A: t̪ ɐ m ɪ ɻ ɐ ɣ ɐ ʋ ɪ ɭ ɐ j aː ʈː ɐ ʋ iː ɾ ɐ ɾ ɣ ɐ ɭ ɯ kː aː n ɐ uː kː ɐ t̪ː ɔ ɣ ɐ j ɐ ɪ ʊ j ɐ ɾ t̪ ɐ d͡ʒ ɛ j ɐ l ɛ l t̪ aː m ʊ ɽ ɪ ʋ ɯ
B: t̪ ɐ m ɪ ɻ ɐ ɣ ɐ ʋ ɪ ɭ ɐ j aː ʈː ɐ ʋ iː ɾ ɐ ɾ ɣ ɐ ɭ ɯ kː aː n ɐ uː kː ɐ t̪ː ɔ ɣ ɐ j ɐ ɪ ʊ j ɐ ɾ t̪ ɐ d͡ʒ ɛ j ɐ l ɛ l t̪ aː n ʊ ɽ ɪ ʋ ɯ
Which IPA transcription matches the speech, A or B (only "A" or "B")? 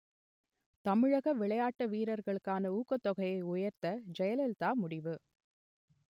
A